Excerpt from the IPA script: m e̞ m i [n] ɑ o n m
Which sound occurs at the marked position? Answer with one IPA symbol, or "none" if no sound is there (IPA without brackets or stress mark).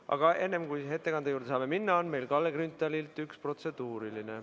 nː